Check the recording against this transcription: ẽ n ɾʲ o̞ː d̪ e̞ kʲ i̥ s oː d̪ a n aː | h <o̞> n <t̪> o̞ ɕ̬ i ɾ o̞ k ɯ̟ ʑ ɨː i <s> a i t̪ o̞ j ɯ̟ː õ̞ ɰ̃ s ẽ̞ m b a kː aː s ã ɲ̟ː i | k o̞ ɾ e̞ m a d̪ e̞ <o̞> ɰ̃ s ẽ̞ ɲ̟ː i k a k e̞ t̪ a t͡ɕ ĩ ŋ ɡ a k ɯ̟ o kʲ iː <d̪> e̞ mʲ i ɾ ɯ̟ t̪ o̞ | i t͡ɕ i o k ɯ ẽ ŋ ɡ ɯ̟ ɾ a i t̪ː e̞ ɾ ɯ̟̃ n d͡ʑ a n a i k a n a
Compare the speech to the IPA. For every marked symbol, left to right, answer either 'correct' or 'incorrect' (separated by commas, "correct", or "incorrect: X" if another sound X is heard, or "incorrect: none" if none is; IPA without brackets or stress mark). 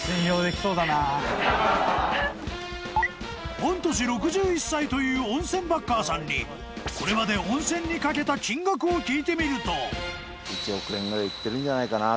incorrect: õ̞, correct, incorrect: sː, incorrect: õ̞, incorrect: t̪